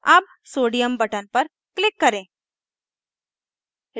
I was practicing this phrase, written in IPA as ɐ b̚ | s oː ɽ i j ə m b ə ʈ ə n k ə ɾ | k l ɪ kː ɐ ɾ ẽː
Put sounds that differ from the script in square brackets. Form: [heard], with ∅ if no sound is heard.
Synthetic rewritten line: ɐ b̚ | s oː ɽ i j ə m b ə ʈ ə n [p] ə ɾ | k l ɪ kː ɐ ɾ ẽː